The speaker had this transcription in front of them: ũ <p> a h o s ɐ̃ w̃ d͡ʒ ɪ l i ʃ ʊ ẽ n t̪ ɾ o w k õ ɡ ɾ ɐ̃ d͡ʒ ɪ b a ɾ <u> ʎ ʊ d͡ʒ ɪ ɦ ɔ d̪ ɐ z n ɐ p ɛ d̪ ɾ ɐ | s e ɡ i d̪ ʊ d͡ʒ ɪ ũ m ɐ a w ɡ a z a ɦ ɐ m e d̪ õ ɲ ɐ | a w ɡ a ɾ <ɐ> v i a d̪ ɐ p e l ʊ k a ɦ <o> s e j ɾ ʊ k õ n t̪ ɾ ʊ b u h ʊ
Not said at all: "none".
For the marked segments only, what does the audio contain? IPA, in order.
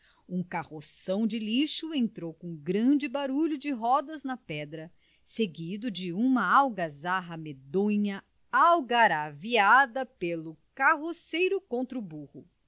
k, u, a, o

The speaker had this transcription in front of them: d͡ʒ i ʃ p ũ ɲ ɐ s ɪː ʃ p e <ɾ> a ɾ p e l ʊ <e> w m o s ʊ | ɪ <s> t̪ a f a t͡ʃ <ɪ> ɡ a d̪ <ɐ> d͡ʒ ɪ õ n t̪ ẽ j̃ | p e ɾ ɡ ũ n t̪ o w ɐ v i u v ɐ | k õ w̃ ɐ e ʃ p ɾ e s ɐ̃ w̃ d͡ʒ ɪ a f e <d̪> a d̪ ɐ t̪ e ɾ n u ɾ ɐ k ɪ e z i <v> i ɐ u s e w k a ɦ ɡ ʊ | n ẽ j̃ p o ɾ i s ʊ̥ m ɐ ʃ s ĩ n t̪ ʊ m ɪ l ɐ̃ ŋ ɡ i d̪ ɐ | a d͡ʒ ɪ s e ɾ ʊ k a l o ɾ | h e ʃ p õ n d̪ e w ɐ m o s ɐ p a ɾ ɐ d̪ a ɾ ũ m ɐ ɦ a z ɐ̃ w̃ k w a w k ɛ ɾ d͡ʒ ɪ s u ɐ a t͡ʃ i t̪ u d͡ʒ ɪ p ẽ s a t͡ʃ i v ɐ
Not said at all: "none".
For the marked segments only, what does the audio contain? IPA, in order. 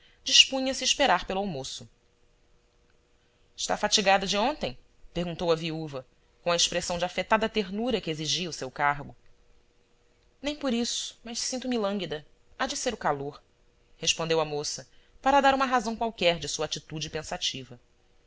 ɾ, a, ʃ, i, ɐ, t̪, ʒ

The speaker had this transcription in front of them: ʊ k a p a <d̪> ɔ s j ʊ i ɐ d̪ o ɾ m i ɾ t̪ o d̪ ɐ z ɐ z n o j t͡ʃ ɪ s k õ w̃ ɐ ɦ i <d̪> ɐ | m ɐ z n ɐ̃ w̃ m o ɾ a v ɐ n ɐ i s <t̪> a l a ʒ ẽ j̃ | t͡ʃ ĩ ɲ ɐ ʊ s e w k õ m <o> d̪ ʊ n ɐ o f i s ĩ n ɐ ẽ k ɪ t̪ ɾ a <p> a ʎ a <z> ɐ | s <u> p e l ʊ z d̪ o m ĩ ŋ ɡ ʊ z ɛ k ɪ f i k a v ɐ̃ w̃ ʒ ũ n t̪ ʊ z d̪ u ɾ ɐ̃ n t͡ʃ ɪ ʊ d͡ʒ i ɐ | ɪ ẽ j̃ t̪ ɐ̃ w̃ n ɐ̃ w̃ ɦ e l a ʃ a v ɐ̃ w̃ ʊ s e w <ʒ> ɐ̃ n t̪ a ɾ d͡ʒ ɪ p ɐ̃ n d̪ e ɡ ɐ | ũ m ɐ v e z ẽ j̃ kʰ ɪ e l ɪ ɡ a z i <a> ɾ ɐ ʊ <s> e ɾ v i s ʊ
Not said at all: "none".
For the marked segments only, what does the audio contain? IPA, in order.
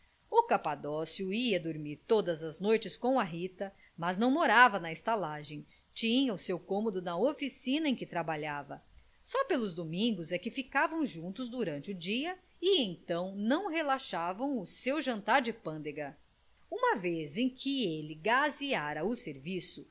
d̪, t̪, t̪, o, b, v, ɔ, ʒ, a, s

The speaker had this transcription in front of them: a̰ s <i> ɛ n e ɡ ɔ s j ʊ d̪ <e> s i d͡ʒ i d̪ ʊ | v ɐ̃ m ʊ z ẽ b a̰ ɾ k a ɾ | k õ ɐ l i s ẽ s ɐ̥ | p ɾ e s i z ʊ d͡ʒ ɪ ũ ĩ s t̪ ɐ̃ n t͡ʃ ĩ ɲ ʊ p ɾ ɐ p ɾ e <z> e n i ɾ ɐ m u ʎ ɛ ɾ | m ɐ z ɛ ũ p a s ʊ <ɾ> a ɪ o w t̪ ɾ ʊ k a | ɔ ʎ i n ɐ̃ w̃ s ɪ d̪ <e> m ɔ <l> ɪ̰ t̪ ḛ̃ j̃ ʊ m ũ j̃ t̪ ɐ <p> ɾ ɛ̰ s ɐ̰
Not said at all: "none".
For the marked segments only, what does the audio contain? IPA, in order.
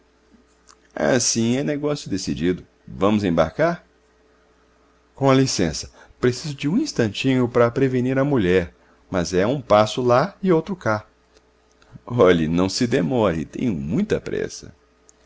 ĩ, e, v, l, e, ɾ, p

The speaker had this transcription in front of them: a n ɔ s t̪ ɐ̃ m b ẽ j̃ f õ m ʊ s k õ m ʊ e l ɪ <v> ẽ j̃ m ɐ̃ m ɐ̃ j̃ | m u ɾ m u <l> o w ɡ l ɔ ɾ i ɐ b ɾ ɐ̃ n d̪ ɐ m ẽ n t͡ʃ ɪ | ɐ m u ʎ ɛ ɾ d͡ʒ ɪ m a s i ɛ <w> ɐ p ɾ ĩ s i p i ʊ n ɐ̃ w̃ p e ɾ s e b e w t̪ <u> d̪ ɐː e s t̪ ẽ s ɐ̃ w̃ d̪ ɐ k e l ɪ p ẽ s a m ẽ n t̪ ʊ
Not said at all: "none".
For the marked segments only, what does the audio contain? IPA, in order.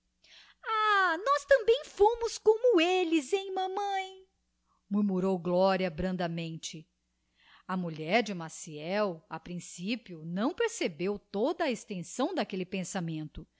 z, ɾ, w, o

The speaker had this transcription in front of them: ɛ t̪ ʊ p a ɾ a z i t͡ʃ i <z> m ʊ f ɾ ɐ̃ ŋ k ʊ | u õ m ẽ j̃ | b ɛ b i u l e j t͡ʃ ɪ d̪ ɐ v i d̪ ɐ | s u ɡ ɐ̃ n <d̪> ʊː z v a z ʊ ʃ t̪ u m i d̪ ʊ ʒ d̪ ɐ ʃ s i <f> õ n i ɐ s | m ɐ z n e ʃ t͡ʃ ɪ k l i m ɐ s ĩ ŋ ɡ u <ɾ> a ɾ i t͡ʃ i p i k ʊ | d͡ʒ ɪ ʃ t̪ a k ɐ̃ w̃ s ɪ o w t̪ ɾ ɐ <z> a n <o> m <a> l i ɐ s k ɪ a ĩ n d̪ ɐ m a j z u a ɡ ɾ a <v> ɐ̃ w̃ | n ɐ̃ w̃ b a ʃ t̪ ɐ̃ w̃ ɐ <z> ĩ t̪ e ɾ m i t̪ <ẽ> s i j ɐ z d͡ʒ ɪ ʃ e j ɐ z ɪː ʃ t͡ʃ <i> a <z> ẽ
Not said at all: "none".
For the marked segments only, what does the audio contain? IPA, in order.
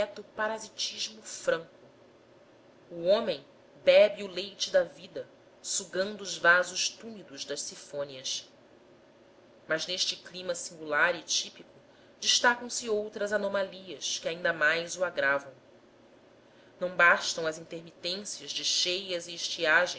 ʒ, d̪, f, l, z, o, a, v, z, ẽ, i, ʒ

